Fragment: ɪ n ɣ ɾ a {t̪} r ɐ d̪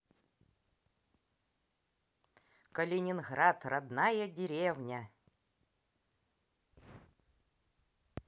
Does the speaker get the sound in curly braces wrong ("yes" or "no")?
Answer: no